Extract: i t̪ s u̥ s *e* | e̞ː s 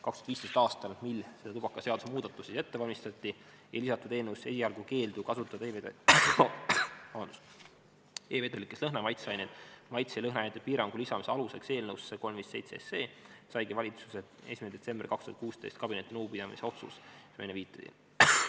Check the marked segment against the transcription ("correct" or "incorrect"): correct